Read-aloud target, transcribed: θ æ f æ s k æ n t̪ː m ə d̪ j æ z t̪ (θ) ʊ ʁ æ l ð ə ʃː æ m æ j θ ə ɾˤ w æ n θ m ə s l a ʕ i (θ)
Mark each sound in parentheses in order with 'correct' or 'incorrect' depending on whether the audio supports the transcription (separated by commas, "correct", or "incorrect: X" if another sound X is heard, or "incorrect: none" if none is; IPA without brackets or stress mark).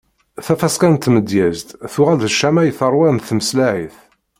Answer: correct, correct